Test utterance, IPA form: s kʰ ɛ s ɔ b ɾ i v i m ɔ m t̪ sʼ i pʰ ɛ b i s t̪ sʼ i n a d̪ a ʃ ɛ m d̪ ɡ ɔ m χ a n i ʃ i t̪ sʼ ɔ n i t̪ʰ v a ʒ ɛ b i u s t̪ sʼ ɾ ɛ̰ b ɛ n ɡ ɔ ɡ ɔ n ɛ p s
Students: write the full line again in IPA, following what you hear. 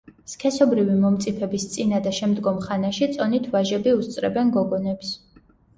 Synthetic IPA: s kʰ ɛ s ɔ b ɾ i v i m ɔ m t̪ sʼ i pʰ ɛ b i s t̪ sʼ i n a d̪ a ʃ ɛ m d̪ ɡ ɔ m χ a n a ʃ i t̪ sʼ ɔ n i t̪ʰ v a ʒ ɛ b i u s t̪ sʼ ɾ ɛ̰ b ɛ n ɡ ɔ ɡ ɔ n ɛ p s